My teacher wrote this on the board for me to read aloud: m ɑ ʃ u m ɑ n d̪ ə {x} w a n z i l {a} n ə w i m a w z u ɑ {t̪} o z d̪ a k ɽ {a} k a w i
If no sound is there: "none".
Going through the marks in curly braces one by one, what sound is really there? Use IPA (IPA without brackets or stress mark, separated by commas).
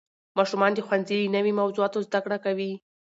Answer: x, i, t̪, a